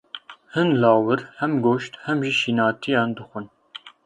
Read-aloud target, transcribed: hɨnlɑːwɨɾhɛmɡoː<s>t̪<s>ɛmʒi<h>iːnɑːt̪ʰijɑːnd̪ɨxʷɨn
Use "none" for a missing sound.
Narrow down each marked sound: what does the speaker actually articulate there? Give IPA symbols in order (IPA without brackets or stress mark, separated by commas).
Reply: ʃ, h, ʃ